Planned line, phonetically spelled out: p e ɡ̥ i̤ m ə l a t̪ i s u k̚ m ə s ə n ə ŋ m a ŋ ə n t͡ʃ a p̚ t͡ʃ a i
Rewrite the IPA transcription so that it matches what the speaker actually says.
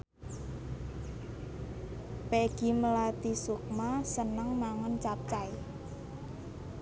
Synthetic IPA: p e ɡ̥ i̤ m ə l a t̪ i s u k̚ m a s ə n ə ŋ m a ŋ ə n t͡ʃ a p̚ t͡ʃ a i